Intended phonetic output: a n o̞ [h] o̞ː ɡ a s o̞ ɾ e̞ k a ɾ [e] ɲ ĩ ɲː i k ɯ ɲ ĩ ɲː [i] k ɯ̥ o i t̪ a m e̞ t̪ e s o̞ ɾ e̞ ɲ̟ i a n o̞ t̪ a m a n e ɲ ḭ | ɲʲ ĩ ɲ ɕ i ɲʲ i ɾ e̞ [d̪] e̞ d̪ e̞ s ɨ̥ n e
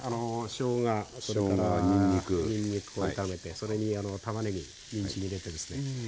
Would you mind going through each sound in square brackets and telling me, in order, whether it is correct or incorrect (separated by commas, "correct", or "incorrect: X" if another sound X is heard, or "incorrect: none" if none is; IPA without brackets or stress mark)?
incorrect: ɕ, incorrect: a, correct, incorrect: t̪